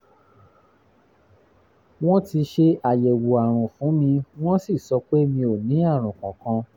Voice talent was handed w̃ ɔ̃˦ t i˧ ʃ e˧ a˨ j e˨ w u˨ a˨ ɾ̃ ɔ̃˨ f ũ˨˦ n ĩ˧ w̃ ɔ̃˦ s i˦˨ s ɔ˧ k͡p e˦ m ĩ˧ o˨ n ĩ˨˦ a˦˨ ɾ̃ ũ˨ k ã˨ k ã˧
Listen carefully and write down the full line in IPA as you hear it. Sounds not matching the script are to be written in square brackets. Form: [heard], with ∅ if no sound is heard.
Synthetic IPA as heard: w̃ ɔ̃˦ t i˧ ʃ e˧ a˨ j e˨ w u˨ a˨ ɾ̃ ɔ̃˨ f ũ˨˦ [m] ĩ˧ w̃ ɔ̃˦ s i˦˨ s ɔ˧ k͡p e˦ m ĩ˧ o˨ n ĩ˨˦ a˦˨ ɾ̃ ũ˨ k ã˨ k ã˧